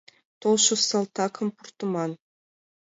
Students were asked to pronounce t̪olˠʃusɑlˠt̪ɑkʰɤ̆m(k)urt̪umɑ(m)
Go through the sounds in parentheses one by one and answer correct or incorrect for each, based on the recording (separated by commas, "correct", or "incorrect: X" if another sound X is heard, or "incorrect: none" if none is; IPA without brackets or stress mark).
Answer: incorrect: p, incorrect: n